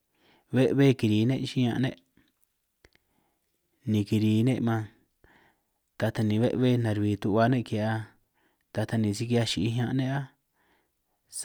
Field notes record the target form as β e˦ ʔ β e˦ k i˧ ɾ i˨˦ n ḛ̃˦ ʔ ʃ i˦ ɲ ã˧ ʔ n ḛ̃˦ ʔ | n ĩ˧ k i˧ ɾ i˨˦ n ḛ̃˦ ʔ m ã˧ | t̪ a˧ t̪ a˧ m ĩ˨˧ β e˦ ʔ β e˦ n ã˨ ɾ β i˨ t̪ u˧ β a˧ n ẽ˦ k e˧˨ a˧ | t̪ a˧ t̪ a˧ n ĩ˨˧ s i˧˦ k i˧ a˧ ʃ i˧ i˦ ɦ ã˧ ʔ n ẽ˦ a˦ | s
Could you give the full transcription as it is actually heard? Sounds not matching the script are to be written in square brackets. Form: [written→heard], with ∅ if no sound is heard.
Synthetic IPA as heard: β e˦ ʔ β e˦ k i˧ ɾ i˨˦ n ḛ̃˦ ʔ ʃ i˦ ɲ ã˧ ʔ n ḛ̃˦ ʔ | n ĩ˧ k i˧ ɾ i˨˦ n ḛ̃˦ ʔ m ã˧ | t̪ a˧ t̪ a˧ [m→n] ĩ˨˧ β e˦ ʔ β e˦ n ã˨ ɾ β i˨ t̪ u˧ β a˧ n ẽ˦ k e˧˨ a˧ | t̪ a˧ t̪ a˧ n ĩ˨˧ s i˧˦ k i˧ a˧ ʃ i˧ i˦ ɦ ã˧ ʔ n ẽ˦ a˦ | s

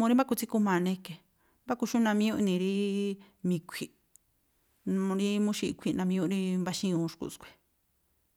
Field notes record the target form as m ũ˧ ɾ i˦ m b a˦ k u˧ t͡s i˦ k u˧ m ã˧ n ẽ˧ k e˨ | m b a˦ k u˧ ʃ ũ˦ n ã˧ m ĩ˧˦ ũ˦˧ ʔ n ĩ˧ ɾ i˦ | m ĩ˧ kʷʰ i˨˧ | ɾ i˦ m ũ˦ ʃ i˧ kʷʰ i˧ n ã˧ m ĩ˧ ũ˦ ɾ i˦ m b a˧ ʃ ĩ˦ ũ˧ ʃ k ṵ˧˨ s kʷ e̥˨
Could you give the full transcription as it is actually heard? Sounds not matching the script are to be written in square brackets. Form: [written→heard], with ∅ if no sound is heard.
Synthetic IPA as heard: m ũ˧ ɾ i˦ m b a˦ k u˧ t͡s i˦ k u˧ m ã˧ n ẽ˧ k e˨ | m b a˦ k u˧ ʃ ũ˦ n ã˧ m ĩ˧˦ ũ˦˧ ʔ n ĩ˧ ɾ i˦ | m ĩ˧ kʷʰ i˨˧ | ɾ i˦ m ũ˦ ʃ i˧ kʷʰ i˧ n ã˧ m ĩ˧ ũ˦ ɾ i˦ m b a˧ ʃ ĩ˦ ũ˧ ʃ k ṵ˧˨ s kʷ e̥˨

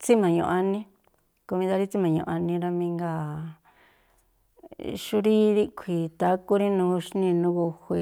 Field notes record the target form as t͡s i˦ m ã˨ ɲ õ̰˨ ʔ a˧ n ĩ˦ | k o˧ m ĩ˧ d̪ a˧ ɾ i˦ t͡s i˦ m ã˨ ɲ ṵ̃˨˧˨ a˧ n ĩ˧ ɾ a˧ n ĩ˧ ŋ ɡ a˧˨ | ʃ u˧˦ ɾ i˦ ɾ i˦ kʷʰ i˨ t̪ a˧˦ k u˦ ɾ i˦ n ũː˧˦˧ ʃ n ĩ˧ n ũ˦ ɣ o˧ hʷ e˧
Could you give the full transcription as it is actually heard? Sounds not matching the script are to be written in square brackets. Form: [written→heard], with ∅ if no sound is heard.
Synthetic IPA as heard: t͡s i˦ m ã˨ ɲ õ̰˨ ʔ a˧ n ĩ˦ | k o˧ m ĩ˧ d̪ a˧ ɾ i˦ t͡s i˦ m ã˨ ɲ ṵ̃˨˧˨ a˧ n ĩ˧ ɾ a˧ [n→m] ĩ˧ ŋ ɡ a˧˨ | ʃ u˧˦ ɾ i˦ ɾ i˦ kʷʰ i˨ t̪ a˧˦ k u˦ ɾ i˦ n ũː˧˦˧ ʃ n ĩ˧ n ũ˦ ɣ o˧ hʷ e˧

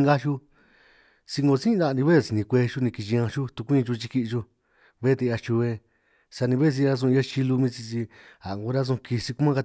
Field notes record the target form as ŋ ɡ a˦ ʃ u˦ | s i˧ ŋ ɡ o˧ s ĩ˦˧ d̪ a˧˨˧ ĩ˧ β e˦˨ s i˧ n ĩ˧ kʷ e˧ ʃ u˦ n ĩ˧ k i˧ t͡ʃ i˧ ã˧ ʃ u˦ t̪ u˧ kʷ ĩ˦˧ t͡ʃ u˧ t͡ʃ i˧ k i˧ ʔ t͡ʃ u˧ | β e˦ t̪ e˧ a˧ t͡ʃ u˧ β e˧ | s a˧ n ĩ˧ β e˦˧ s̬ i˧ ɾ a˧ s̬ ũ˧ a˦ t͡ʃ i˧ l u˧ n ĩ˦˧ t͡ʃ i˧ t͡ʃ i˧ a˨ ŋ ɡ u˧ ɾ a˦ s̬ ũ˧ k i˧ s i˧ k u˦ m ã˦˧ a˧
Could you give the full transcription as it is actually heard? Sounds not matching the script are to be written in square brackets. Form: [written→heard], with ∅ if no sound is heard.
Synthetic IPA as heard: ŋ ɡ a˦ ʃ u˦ | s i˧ ŋ ɡ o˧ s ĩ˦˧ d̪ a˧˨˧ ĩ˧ β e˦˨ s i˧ n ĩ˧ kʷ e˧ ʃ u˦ n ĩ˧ k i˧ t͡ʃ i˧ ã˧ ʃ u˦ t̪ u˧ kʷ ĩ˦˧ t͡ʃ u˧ t͡ʃ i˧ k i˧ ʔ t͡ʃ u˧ | β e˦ t̪ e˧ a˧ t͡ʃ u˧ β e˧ | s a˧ n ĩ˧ β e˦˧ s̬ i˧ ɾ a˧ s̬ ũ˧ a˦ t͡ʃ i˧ l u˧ [n→m] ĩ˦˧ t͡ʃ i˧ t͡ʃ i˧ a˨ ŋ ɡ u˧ ɾ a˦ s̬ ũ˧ k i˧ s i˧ k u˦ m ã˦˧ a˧

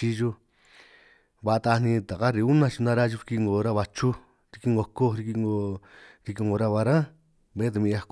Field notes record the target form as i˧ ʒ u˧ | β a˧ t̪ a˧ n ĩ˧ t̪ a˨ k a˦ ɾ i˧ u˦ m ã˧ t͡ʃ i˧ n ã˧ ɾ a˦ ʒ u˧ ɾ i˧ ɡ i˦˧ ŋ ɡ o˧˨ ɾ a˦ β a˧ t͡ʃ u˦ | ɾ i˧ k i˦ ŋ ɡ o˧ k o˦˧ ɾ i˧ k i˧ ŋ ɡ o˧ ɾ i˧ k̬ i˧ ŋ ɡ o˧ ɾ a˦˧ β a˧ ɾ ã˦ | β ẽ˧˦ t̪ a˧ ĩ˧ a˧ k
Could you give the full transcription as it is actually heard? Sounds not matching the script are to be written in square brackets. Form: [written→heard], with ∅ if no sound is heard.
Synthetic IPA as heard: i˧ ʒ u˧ | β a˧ t̪ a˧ n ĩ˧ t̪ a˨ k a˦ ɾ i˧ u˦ [m→n] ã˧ t͡ʃ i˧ n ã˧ ɾ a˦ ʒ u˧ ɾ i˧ [ɡ→k] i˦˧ ŋ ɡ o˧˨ ɾ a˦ β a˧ t͡ʃ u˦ | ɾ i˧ k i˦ ŋ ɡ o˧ k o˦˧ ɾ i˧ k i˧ ŋ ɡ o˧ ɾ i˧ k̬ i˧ ŋ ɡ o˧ ɾ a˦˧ β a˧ ɾ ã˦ | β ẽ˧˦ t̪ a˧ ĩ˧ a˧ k

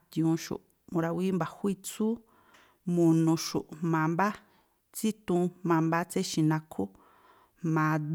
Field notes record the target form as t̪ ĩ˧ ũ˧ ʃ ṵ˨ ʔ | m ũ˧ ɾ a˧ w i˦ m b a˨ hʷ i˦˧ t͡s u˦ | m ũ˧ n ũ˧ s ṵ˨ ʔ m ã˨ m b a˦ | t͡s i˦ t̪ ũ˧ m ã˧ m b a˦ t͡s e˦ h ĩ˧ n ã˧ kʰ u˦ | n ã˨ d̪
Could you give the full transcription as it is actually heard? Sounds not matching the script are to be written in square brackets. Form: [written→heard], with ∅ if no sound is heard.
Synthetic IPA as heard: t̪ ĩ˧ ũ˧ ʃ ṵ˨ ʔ | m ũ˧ ɾ a˧ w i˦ m b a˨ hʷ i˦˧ t͡s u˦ | m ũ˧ n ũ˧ [s→ʃ] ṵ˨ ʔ m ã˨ m b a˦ | t͡s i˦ t̪ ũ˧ m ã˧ m b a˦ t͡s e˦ [h→ʃ] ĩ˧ n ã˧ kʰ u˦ | [n→m] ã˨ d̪

